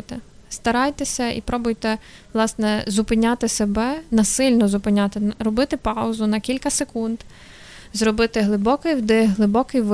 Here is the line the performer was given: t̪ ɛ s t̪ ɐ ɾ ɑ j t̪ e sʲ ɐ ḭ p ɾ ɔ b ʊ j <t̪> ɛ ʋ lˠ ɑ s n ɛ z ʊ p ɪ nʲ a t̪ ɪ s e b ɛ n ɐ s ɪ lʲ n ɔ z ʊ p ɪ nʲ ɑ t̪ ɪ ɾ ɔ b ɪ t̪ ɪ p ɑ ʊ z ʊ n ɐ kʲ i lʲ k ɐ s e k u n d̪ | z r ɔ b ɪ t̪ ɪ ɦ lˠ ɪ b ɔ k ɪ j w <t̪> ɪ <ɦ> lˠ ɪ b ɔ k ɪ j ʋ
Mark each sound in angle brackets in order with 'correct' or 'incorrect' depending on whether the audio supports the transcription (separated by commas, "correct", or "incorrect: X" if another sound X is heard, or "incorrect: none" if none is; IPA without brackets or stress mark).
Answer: correct, incorrect: d̪, correct